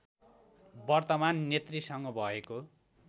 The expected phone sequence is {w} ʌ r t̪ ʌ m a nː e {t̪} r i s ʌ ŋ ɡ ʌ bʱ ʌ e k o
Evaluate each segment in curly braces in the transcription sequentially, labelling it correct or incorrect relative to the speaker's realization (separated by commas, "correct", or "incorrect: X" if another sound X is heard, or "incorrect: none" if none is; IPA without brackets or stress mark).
incorrect: b, correct